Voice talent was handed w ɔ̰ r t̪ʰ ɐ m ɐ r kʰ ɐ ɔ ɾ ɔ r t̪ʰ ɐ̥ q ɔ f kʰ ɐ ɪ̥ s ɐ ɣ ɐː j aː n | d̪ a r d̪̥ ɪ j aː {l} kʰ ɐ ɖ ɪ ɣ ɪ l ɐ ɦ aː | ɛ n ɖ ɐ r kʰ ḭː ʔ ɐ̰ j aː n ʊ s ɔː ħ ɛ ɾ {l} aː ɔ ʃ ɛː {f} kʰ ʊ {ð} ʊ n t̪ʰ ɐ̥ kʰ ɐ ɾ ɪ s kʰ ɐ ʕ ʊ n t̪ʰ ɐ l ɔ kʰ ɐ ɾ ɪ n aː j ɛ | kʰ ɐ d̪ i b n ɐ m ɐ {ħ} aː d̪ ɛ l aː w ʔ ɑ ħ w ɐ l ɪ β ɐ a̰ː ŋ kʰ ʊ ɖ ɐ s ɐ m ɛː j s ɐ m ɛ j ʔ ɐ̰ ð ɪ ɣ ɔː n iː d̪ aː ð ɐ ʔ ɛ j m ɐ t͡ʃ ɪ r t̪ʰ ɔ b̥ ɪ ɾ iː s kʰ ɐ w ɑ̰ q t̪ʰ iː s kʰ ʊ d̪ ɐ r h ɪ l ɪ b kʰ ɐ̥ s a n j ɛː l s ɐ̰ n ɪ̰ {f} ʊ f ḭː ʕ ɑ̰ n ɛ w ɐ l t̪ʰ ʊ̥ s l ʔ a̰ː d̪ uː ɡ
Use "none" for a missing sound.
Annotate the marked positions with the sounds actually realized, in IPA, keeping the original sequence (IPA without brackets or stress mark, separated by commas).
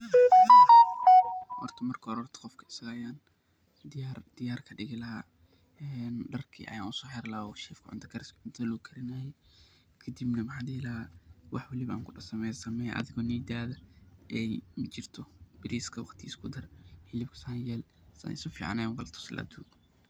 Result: r, l, f, ʕ, ħ, s